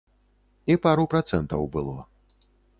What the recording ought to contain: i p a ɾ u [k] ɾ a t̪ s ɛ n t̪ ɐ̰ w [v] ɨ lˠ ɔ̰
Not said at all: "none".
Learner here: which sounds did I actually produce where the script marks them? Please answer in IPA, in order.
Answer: p, b

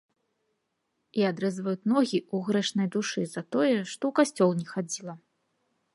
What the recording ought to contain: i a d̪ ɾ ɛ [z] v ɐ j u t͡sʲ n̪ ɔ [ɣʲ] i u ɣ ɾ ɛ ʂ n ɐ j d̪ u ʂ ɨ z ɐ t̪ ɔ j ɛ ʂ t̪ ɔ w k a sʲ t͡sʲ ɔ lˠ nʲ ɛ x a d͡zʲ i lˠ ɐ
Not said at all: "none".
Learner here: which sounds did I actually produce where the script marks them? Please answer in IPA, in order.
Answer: z, ɣʲ

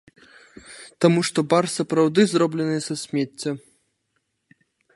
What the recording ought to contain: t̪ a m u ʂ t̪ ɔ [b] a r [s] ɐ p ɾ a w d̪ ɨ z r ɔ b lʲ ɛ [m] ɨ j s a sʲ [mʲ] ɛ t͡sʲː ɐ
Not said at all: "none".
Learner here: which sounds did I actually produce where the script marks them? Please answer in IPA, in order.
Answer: b, s, n, mʲ

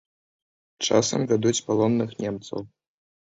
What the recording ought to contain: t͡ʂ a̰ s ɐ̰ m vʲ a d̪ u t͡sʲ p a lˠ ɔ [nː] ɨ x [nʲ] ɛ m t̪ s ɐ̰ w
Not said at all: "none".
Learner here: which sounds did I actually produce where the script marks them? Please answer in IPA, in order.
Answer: nː, nʲ

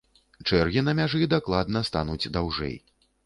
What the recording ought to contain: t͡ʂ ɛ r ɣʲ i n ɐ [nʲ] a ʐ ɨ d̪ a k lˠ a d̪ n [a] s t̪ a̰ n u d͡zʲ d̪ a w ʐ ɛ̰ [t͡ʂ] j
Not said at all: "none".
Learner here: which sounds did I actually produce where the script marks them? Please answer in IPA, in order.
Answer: mʲ, ɐ, none

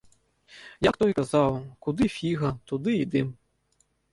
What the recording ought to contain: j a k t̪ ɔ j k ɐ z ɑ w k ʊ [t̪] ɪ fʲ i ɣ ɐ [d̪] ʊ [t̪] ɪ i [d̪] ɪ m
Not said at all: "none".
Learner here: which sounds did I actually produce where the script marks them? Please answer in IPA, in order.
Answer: d̪, t̪, d̪, d̪

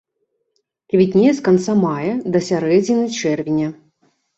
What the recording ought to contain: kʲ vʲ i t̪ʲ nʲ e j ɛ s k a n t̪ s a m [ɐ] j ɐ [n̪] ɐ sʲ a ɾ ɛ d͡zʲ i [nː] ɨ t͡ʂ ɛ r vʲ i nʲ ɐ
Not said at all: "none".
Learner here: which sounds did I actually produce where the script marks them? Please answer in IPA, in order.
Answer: a, d̪, n

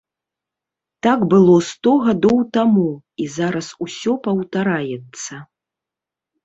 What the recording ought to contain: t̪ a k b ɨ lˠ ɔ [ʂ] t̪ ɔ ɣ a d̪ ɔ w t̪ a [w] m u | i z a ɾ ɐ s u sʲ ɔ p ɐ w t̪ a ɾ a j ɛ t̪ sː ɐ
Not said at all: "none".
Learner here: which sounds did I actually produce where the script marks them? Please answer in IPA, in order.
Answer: s, none

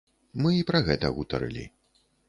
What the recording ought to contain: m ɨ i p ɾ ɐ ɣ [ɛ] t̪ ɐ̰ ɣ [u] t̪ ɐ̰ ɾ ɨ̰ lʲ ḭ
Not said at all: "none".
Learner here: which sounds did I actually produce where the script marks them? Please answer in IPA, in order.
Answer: ɛ, u

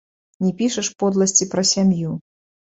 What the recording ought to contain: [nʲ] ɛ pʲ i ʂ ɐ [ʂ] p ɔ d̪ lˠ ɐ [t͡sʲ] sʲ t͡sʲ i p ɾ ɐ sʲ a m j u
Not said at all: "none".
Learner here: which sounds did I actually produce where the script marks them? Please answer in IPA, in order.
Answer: nʲ, ʂ, none

